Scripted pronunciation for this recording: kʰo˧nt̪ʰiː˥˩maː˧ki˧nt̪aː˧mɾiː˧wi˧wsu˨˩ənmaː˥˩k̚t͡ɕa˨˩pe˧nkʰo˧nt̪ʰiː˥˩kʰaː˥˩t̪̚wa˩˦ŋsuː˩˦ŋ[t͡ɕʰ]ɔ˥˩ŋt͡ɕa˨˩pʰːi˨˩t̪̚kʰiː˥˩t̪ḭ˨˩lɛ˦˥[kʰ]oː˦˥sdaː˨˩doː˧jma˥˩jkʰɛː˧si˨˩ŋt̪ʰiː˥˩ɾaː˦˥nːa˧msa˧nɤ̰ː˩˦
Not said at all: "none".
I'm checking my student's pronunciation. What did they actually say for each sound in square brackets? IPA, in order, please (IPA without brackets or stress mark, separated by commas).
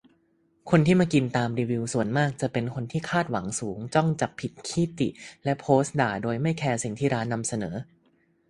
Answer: t͡ɕ, pʰ